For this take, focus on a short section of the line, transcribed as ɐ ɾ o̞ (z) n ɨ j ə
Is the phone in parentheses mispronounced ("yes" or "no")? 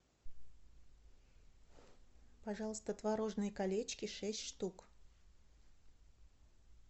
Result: yes